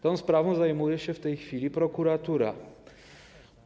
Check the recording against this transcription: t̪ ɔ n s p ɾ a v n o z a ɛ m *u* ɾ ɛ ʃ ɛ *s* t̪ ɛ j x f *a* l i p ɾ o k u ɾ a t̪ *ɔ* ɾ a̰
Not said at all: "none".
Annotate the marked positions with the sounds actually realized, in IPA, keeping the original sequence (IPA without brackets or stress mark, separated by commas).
u, f, i, u